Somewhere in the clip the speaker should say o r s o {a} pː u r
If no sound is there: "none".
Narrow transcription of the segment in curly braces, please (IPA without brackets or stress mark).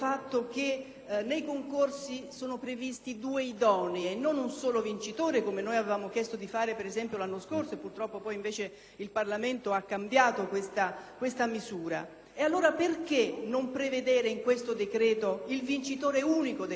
e